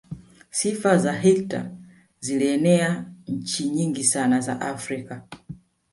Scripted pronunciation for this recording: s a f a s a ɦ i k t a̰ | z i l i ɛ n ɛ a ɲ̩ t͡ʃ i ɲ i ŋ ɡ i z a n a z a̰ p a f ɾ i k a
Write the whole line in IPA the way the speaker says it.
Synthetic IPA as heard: s i f a z a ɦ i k t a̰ | z i l i ɛ n ɛ a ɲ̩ t͡ʃ i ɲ i ŋ ɡ i s a n a z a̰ ʔ a f ɾ i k a